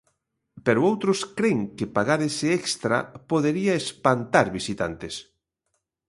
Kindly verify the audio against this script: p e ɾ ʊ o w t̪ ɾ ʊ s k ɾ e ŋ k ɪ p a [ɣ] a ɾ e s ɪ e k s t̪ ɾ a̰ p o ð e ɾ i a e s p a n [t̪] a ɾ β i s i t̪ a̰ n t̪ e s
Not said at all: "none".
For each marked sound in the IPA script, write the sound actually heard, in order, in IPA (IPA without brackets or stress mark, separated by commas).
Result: ɣ, t̪